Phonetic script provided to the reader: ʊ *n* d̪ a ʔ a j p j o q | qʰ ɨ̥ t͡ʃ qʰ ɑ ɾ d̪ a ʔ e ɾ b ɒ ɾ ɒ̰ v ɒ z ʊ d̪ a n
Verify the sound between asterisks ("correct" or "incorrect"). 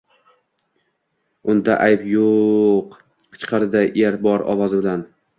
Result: correct